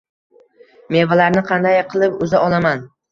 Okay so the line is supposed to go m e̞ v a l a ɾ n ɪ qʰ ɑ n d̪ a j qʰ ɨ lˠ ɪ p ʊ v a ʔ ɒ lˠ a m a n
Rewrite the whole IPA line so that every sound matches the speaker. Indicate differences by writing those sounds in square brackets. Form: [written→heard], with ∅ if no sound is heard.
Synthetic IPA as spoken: m e̞ v a l a ɾ n ɪ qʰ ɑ n d̪ a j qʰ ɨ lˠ ɪ p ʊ [v→z] a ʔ ɒ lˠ a m a n